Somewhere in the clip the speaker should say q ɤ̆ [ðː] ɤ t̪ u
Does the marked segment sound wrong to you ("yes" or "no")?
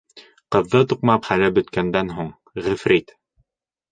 no